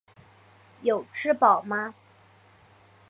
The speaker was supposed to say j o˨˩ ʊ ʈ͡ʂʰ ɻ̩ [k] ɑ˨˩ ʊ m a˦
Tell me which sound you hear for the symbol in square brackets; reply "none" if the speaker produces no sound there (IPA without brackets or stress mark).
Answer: p